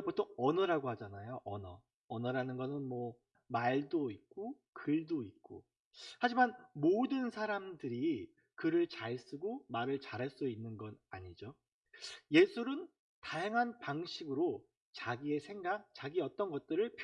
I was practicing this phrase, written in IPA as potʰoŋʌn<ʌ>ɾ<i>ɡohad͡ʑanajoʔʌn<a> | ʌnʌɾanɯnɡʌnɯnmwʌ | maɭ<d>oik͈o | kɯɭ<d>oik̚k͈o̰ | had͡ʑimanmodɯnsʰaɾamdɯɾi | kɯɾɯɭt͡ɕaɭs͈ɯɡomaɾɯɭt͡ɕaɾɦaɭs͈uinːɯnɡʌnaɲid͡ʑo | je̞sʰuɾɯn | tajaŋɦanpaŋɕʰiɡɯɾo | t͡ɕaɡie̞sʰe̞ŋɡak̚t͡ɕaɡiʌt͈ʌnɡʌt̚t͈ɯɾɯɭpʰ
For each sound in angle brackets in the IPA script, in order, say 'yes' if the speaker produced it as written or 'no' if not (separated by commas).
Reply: yes, no, no, yes, yes